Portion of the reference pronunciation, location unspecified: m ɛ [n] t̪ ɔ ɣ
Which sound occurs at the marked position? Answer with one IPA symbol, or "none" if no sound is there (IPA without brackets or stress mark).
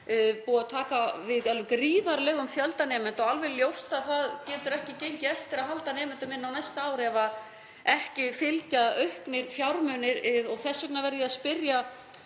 n